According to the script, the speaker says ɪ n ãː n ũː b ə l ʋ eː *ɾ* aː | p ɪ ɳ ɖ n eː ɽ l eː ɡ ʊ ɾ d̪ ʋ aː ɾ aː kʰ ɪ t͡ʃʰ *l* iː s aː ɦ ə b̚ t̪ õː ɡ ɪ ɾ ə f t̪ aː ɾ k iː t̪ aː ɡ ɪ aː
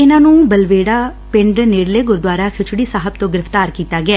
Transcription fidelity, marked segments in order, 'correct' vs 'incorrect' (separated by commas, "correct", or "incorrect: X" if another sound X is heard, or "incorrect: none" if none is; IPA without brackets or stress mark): incorrect: ɽ, incorrect: ɽ